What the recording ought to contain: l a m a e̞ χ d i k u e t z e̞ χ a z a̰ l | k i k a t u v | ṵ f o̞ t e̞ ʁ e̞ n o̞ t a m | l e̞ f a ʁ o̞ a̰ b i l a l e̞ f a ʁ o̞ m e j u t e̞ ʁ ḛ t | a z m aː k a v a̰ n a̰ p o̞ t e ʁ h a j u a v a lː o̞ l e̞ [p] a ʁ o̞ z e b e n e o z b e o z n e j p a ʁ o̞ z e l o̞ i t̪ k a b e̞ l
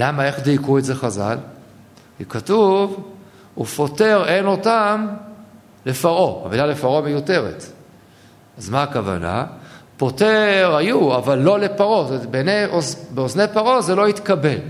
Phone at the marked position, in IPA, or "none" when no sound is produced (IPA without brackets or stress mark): p